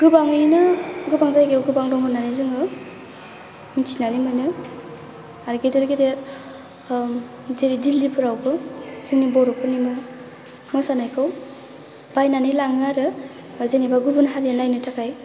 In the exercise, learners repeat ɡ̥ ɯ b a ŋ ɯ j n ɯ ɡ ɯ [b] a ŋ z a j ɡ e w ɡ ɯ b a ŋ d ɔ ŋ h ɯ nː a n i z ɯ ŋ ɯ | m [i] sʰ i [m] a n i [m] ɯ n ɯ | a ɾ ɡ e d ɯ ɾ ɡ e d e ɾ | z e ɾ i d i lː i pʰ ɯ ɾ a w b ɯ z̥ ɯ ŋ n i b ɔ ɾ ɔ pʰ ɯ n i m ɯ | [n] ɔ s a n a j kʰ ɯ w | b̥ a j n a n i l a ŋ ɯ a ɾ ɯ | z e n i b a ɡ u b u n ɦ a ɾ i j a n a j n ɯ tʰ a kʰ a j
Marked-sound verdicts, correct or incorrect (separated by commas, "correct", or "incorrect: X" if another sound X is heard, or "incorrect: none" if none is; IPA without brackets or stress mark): correct, correct, incorrect: n, correct, incorrect: m